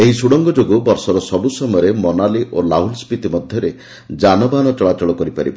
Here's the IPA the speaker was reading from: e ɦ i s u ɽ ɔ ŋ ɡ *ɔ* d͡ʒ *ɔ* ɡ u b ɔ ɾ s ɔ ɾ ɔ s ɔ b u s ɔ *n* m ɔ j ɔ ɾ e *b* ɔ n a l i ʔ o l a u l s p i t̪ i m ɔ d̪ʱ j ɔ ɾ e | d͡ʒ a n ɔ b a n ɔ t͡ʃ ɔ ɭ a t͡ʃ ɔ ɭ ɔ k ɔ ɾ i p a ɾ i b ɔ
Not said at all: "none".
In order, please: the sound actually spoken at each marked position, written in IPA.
ɔ, o, none, m

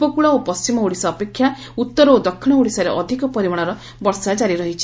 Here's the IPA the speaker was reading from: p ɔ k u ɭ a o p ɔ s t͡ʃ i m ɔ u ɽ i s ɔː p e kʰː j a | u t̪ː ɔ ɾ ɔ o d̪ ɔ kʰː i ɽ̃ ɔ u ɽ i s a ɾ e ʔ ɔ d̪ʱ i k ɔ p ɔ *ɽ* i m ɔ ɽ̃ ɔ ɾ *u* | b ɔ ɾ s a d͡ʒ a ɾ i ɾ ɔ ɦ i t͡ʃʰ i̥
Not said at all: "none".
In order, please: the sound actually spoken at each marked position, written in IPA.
ɾ, ɔ

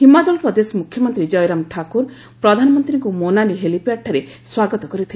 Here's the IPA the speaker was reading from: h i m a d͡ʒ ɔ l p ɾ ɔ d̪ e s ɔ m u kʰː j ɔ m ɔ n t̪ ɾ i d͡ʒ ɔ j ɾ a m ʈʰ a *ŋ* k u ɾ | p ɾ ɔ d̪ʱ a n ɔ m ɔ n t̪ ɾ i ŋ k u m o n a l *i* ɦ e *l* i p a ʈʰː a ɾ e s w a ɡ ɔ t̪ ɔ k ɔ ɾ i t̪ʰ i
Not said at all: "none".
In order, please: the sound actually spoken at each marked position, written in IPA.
none, i, l

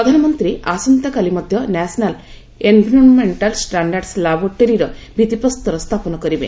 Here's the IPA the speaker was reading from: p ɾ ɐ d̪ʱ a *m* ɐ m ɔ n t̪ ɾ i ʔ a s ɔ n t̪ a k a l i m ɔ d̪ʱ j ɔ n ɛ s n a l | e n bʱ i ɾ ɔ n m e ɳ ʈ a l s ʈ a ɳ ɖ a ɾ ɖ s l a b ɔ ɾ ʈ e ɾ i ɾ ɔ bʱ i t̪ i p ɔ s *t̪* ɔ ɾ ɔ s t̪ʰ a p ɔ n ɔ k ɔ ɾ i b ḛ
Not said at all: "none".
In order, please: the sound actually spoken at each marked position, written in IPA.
n, t̪

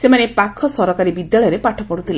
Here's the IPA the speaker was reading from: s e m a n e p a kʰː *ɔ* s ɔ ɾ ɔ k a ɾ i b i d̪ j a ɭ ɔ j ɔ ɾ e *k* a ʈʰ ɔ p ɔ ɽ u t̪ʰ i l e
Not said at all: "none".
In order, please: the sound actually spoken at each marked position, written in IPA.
ɔ, p

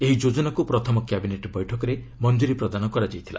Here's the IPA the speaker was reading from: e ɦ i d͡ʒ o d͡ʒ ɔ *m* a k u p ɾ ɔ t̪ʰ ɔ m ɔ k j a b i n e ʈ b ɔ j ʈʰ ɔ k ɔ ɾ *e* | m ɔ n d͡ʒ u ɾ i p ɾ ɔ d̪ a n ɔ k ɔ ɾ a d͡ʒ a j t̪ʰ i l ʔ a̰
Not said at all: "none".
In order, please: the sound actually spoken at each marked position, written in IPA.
n, e

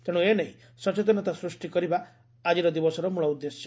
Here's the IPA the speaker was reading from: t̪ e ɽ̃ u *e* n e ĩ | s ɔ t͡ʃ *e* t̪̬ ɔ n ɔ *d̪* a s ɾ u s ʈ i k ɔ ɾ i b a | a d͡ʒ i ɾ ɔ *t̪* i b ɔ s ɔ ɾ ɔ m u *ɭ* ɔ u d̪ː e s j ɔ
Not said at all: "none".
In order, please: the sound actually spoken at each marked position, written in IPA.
e, e, t̪, d̪, ɭ

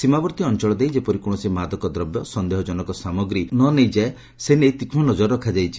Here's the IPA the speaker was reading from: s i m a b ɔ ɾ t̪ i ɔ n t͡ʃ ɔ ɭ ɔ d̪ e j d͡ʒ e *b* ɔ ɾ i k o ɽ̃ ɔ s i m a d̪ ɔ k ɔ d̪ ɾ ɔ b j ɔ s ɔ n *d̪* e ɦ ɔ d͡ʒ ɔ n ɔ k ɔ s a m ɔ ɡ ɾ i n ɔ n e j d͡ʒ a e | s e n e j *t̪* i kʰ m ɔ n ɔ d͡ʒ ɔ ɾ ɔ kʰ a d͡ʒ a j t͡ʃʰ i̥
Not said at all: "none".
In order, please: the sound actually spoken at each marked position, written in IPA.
p, d̪, t̪

